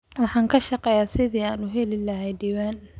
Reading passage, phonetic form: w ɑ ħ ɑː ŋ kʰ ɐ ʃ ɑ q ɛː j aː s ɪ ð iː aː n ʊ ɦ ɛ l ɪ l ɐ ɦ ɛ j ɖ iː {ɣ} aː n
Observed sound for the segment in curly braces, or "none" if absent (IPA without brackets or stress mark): w